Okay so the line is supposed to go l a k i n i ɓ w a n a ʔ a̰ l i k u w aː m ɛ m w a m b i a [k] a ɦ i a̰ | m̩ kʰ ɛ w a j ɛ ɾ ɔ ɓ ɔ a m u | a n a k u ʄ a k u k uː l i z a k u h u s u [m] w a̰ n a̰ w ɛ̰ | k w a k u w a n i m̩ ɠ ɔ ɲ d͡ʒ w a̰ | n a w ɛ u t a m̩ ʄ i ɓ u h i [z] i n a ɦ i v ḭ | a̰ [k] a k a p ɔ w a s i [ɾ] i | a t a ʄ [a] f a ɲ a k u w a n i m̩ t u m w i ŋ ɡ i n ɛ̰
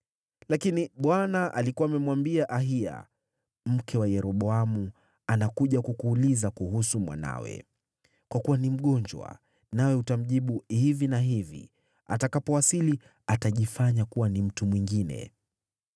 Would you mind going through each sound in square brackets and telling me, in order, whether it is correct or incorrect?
incorrect, correct, incorrect, incorrect, incorrect, incorrect

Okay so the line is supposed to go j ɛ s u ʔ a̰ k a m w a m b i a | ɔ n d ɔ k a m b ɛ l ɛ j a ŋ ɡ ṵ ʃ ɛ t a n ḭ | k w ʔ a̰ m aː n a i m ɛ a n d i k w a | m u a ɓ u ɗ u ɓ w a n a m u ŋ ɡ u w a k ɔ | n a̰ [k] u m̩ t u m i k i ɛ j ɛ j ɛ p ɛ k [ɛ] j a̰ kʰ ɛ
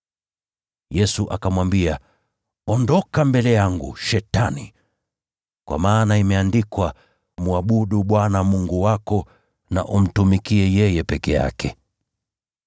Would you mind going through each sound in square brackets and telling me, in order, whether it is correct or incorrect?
incorrect, correct

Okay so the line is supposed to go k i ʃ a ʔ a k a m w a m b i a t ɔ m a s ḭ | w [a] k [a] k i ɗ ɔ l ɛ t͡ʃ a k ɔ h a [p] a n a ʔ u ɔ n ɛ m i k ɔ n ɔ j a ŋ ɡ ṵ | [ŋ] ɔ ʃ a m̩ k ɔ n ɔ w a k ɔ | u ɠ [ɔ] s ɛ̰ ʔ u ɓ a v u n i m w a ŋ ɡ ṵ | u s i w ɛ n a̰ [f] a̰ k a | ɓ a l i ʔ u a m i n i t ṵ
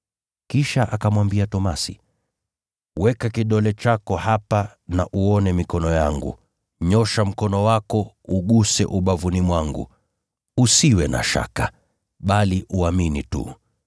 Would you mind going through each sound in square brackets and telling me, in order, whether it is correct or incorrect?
incorrect, correct, correct, incorrect, incorrect, incorrect

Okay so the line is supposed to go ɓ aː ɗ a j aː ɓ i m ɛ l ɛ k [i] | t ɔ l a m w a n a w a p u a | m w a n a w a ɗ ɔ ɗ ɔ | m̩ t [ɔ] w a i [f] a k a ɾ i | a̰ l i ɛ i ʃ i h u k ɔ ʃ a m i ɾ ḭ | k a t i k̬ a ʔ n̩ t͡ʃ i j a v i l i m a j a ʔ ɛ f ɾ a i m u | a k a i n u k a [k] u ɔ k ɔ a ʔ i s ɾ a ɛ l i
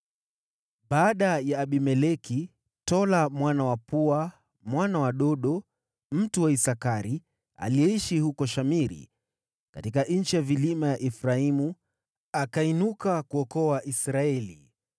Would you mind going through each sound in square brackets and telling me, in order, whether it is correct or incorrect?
correct, incorrect, incorrect, correct

